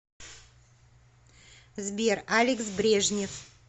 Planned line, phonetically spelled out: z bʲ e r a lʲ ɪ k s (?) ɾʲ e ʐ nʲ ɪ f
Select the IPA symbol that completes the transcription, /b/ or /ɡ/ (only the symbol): b